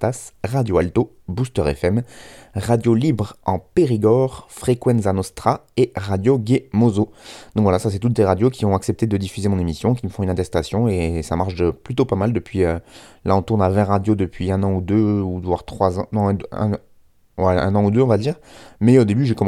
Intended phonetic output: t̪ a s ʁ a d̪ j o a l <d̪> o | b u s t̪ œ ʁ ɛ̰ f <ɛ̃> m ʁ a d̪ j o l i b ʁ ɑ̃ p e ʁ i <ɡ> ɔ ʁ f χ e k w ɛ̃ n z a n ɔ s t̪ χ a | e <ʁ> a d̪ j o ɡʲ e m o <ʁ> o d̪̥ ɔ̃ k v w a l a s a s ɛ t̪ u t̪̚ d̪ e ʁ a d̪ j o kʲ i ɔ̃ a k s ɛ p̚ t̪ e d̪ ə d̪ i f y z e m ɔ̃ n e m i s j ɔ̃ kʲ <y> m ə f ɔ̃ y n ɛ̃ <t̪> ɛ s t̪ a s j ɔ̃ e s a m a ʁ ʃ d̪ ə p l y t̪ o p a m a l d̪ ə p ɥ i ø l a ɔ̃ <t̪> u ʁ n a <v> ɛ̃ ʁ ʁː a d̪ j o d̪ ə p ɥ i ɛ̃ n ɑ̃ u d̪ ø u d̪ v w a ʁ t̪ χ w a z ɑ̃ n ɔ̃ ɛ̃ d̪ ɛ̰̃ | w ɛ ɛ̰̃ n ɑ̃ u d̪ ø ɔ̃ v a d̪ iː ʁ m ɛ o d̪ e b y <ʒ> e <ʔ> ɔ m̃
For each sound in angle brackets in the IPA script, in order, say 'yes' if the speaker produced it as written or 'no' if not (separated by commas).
no, no, yes, yes, no, no, yes, yes, yes, yes, no